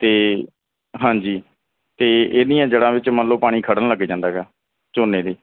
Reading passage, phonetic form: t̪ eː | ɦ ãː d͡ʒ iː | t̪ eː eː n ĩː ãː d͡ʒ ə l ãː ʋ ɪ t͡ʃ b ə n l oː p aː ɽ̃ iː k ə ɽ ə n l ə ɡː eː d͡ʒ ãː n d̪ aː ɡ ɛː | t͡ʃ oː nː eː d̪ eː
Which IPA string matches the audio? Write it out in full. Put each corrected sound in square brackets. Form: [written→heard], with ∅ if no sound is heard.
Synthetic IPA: t̪ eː | ɦ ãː d͡ʒ iː | t̪ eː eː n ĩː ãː d͡ʒ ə [l→ɽ] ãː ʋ ɪ t͡ʃ [b→m] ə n l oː p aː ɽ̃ iː [k→kʰ] ə ɽ ə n l ə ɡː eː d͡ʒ ãː n d̪ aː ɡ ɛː | t͡ʃ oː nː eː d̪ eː